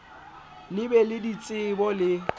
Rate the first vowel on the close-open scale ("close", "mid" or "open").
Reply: close